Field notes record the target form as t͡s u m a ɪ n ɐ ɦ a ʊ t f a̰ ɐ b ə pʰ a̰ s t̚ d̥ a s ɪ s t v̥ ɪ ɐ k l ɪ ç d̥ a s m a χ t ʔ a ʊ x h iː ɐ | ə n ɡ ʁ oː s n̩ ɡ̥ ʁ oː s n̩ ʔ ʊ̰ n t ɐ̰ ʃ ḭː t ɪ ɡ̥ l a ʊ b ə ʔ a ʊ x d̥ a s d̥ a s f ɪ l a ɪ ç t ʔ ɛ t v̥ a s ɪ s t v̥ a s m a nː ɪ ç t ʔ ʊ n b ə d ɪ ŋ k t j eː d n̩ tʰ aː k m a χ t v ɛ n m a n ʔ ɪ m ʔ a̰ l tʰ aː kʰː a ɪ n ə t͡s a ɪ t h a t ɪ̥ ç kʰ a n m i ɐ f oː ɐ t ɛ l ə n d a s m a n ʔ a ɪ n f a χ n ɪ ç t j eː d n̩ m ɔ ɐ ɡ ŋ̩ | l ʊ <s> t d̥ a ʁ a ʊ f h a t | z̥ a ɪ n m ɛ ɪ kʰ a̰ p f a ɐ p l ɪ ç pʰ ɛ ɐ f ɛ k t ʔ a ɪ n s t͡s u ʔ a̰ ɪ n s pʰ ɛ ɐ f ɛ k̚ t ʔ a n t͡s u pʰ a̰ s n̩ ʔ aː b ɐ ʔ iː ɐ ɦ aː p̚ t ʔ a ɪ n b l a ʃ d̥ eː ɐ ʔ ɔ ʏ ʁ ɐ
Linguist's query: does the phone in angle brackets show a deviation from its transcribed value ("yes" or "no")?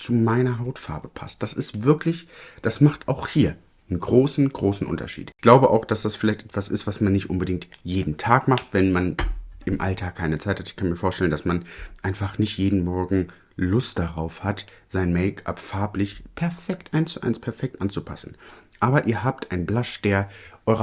no